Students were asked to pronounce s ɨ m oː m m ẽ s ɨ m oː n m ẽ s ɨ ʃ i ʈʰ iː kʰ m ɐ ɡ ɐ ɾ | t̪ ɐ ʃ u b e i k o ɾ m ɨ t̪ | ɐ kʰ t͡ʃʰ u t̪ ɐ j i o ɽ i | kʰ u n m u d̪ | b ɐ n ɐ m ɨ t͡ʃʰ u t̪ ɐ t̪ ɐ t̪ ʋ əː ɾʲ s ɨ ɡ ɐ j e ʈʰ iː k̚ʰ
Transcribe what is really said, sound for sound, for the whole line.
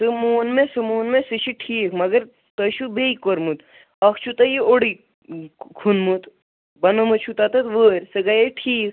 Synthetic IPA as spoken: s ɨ m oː n m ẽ s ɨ m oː n m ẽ s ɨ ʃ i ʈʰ iː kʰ m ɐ ɡ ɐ ɾ | t̪ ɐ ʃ u b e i k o ɾ m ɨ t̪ | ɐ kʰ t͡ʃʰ u t̪ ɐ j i o ɽ i | kʰ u n m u t̪ | b ɐ n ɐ m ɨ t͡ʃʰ u t̪ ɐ t̪ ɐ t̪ ʋ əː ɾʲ s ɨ ɡ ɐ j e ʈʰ iː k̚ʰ